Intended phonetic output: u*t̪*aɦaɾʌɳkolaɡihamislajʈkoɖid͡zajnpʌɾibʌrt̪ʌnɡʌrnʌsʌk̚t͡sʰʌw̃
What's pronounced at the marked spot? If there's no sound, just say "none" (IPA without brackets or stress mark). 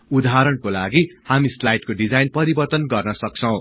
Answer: d̪